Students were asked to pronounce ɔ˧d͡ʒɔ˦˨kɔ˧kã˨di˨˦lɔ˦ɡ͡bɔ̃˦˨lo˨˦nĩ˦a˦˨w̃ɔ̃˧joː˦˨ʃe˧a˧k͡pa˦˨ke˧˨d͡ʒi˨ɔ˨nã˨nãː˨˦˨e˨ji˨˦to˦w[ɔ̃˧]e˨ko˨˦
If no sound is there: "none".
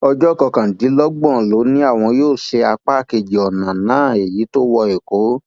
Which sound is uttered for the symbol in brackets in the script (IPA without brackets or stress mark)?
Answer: ɔ˧